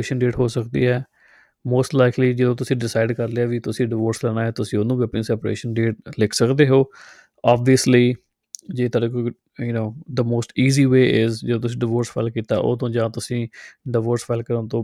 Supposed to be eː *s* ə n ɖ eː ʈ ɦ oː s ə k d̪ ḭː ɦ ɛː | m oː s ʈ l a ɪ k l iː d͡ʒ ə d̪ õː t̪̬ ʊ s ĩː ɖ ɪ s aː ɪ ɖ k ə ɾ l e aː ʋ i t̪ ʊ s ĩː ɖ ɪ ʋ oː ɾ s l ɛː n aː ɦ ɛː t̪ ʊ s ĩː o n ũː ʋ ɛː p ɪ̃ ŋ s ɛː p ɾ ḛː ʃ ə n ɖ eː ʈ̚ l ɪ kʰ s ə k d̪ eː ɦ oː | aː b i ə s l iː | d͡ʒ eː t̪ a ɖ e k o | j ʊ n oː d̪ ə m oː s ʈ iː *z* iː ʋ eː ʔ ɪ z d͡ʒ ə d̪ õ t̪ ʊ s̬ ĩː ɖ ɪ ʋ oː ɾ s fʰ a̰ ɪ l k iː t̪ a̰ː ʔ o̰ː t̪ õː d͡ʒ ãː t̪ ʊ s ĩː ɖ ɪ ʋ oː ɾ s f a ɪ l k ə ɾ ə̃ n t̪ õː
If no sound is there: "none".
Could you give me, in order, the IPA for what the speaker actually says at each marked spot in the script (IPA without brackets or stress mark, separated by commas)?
ʃ, z